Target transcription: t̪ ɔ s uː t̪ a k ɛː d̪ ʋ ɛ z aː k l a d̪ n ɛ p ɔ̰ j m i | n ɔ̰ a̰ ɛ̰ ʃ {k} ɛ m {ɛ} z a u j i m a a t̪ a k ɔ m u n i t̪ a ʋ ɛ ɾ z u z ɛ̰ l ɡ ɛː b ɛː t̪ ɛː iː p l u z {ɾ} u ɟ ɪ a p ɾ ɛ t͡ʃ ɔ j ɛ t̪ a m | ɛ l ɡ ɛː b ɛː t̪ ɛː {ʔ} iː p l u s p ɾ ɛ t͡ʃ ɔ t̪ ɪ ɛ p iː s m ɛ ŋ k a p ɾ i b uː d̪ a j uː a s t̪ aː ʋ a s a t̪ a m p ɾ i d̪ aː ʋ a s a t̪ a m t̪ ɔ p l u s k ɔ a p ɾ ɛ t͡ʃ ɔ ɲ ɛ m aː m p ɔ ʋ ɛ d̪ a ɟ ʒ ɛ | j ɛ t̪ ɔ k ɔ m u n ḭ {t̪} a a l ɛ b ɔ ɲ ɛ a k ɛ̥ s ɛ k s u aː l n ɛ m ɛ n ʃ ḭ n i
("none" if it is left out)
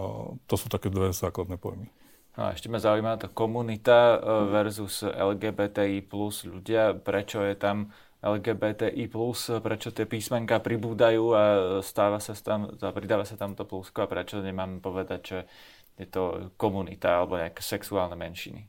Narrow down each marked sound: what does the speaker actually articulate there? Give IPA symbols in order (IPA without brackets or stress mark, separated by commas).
c, a, ʎ, ʔ, t̪